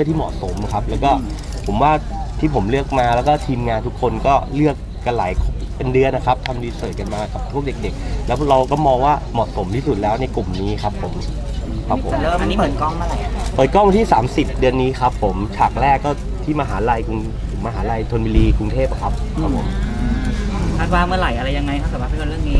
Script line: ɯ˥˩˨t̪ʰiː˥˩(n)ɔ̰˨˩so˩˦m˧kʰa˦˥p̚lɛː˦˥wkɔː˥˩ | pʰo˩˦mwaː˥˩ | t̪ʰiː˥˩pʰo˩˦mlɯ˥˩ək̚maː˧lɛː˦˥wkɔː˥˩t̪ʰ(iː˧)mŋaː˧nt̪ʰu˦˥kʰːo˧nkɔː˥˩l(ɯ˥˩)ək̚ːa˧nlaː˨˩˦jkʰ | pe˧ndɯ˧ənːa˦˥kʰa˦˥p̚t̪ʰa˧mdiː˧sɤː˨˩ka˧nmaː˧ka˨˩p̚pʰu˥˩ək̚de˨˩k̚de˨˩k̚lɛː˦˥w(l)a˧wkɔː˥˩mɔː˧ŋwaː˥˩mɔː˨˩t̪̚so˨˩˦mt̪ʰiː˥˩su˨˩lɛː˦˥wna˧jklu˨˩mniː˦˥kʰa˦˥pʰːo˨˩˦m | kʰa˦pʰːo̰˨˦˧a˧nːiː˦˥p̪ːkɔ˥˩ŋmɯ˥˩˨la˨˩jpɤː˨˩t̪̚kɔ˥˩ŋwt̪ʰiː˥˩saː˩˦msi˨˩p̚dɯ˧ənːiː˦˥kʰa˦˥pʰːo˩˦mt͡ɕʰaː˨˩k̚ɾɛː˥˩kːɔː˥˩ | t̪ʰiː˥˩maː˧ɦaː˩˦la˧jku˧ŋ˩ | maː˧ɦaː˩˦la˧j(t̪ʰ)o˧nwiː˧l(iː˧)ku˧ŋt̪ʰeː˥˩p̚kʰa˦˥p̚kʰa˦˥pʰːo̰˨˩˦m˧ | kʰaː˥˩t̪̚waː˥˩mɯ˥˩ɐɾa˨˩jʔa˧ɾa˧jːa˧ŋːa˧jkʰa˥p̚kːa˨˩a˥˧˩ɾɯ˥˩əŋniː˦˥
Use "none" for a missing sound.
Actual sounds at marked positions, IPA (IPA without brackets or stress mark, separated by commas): m, iː˧, ɯ˥˩, ɾ, t̪ʰ, iː˧